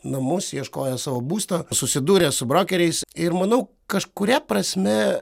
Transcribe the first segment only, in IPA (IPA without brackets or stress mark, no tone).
n